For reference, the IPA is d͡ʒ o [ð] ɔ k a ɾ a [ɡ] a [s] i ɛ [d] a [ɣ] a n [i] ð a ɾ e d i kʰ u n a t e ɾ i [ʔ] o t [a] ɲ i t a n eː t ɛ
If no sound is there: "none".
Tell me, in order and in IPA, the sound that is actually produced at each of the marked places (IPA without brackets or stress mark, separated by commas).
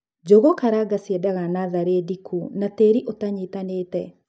ɣ, ɡ, s, d, ɣ, a, ʔ, a